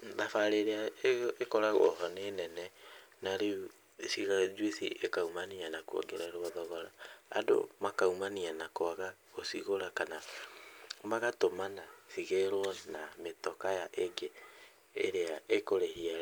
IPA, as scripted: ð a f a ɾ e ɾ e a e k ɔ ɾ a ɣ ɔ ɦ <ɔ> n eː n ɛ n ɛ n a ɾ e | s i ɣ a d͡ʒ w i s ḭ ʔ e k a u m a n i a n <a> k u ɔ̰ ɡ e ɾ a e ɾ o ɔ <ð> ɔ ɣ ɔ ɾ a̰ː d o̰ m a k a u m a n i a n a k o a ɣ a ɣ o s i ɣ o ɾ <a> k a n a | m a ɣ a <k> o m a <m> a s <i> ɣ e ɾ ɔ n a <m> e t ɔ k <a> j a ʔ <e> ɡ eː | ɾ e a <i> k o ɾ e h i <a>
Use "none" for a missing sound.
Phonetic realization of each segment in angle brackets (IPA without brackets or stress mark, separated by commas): ɔ, a, ð, a, t, n, i, m, a, e, e, a